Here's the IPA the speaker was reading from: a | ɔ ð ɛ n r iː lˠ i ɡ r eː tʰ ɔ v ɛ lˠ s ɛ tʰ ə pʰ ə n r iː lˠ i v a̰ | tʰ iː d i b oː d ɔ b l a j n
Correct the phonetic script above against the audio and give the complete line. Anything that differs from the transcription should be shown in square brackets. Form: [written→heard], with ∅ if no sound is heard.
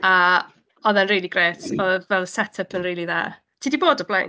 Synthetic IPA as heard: a | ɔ ð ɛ n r iː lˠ i ɡ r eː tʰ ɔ v ɛ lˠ s ɛ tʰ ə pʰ ə n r iː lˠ i [v→ð] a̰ | tʰ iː d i b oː d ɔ b l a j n

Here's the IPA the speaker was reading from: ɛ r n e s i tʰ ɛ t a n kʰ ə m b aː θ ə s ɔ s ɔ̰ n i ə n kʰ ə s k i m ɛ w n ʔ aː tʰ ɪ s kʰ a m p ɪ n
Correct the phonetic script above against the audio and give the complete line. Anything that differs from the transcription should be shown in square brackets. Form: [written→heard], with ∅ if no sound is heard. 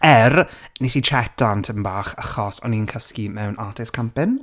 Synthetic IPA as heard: ɛ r n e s i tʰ ɛ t a n [kʰ→tʰ] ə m b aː [θ→χ] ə [s→χ] ɔ s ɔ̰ n i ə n kʰ ə s k i m ɛ w n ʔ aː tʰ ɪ s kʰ a m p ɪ n

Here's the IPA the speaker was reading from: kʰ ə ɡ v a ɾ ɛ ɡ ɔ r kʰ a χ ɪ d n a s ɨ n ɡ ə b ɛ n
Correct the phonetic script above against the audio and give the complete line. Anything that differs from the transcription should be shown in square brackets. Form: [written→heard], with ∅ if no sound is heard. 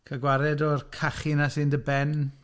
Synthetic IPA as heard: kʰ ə ɡ [v→w] a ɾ ɛ [ɡ→d] ɔ r kʰ a χ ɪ [d→∅] n a s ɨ n [ɡ→d] ə b ɛ n

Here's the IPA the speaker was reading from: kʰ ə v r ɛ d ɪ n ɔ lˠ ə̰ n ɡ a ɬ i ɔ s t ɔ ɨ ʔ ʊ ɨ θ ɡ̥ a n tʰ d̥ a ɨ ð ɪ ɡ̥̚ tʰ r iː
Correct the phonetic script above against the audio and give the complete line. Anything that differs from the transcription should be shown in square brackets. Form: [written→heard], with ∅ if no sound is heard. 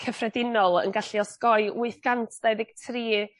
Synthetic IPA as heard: kʰ ə [v→f] r ɛ d ɪ n ɔ lˠ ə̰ n ɡ a ɬ i ɔ s [t→k] ɔ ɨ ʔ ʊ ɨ θ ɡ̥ a n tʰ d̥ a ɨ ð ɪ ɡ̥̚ tʰ r iː

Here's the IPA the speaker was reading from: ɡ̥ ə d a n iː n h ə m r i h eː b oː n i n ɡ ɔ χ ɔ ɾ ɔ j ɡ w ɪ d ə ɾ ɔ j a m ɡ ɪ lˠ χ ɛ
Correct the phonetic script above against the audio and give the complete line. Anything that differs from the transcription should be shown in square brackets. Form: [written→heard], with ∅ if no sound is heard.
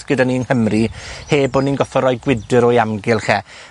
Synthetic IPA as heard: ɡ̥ ə d a n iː n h ə m r i h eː b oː n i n ɡ ɔ [χ→f] ɔ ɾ ɔ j ɡ w ɪ d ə ɾ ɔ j a m ɡ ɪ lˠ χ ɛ

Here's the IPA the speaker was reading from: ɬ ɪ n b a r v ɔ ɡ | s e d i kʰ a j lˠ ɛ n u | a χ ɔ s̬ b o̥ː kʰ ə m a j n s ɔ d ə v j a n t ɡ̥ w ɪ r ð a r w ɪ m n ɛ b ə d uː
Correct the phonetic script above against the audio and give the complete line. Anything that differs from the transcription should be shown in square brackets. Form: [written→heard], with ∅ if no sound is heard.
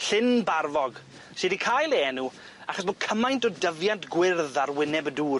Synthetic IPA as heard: ɬ ɪ n b a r v ɔ ɡ | s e d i kʰ a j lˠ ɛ n u | a χ ɔ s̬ b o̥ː kʰ ə m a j n [s→t] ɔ d ə v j a n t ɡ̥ w ɪ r ð a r w ɪ [m→∅] n ɛ b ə d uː

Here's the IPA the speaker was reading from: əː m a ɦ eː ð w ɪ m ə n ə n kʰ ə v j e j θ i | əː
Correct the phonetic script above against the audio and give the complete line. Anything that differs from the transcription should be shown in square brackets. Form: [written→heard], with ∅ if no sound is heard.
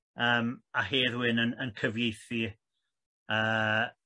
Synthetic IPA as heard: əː m a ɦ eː ð w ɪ [m→n] ə n ə n kʰ ə v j e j θ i | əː

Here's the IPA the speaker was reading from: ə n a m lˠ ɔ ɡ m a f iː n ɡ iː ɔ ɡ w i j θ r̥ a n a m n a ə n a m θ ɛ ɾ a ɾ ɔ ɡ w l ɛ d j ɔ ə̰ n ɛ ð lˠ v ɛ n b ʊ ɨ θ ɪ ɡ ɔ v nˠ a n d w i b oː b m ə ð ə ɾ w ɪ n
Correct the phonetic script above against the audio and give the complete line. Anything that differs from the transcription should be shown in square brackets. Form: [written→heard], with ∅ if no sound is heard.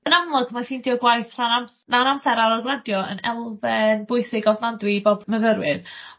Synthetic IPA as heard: ə n a m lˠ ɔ ɡ m a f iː n [ɡ→d] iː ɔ ɡ w [i→a] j θ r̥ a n a m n a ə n a m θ ɛ ɾ a ɾ ɔ ɡ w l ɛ d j ɔ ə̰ n ɛ [ð→∅] lˠ v ɛ n b ʊ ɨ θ ɪ ɡ ɔ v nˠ a n d w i b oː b m ə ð ə ɾ w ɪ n

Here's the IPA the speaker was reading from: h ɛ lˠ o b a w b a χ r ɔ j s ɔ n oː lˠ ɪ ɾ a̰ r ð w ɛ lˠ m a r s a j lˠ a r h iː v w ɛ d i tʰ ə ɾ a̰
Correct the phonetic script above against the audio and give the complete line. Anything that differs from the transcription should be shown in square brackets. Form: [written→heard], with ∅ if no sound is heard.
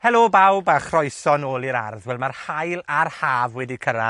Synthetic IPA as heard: h ɛ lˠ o b a w b a χ r ɔ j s ɔ n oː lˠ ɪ ɾ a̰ r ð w ɛ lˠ m a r [s→h] a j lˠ a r h [iː→aː] v w ɛ d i [tʰ→kʰ] ə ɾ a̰

